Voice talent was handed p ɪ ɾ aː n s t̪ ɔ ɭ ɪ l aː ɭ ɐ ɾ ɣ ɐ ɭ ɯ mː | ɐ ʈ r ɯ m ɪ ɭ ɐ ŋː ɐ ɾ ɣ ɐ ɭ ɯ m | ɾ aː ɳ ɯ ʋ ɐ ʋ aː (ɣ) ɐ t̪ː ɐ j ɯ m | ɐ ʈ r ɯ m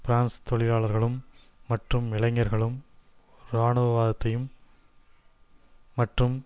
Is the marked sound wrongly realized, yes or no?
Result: yes